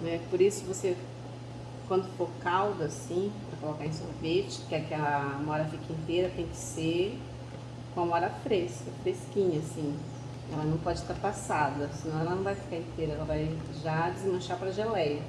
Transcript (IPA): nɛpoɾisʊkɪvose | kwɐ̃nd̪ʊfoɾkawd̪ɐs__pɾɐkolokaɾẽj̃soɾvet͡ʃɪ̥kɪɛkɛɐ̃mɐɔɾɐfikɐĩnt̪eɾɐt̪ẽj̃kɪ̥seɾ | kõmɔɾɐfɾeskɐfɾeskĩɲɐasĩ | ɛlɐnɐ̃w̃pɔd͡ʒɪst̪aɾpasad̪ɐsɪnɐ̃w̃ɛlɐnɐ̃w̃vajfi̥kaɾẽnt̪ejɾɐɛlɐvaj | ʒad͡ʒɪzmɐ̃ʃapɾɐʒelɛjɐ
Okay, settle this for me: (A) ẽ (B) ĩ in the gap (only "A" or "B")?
B